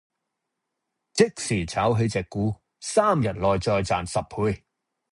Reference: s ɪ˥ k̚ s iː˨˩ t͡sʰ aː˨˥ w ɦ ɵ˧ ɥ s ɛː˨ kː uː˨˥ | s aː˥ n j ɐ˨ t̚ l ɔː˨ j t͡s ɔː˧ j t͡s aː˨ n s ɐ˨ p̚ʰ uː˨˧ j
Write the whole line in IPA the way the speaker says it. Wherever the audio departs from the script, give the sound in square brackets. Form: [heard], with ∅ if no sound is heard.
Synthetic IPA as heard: [t͡s] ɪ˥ k̚ s iː˨˩ t͡sʰ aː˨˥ w ɦ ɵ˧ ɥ [t͡s] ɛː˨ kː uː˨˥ | s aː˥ [m] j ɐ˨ t̚ l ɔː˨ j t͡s ɔː˧ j t͡s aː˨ n s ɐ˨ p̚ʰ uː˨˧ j